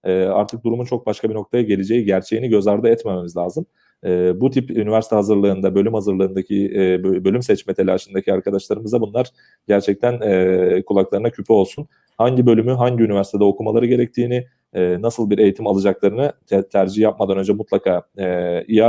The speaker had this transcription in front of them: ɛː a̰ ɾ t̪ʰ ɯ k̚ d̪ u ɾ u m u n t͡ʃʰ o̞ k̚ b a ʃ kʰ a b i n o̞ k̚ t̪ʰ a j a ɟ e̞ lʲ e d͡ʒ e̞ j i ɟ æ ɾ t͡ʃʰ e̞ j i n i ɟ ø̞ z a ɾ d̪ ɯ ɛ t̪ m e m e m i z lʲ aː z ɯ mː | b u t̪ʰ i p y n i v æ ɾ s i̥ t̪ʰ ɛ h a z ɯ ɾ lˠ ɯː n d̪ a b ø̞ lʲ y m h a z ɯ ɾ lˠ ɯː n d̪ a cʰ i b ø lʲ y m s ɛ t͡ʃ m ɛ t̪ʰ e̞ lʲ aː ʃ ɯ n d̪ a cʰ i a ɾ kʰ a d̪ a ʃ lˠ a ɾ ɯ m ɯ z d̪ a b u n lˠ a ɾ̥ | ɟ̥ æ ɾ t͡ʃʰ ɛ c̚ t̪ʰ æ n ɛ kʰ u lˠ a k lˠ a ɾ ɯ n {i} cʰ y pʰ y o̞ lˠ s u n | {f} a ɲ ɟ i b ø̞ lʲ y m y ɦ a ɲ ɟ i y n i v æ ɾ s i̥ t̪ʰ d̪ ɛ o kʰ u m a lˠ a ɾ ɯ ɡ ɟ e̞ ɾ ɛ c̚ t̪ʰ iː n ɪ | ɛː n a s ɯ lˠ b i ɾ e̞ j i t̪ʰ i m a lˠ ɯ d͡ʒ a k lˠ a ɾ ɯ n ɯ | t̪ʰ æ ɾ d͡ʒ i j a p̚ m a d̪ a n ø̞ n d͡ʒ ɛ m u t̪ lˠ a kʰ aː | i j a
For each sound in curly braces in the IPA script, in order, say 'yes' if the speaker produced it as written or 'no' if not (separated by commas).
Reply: no, no